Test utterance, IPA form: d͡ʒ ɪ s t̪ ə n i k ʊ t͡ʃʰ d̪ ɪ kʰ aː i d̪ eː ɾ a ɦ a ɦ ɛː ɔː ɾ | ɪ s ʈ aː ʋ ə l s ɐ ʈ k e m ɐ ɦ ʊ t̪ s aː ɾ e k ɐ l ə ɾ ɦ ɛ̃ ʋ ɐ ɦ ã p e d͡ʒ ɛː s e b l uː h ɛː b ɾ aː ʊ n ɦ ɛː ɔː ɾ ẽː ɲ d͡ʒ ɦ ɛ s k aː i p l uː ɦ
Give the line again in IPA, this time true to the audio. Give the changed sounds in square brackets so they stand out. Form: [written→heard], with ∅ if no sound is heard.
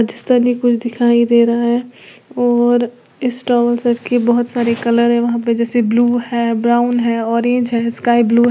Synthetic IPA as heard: d͡ʒ ɪ s t̪ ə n i k ʊ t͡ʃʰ d̪ ɪ kʰ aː i d̪ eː ɾ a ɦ a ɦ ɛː ɔː ɾ | ɪ s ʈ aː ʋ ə l s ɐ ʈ k e [m→b] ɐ ɦ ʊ t̪ s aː ɾ e k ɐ l ə ɾ ɦ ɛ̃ ʋ ɐ ɦ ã p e d͡ʒ ɛː s e b l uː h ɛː b ɾ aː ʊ n ɦ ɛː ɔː ɾ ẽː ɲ d͡ʒ ɦ ɛ s k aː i [p→b] l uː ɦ